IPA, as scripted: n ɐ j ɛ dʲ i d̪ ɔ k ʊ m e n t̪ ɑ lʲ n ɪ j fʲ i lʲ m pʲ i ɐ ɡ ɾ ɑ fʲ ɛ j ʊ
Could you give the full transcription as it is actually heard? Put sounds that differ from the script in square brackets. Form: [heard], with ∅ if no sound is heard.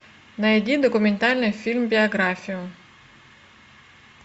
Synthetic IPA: n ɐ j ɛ dʲ i d̪ ɔ k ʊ m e n t̪ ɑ lʲ n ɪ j fʲ i lʲ m [bʲ] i ɐ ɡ ɾ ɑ fʲ [i] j ʊ